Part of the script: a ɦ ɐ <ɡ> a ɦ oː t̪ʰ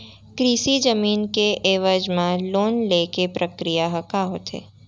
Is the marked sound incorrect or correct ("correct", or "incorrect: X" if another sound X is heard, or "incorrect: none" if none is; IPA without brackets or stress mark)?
incorrect: k